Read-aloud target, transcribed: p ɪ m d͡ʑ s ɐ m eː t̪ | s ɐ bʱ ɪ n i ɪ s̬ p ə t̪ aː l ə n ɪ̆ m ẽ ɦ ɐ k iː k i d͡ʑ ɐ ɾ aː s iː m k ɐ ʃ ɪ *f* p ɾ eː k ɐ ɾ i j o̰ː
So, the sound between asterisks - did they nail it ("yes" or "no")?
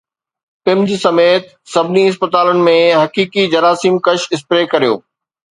no